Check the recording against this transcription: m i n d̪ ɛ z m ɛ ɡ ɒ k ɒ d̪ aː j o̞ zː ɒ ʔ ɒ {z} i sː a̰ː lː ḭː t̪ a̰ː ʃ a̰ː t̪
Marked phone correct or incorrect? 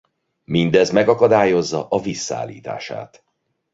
incorrect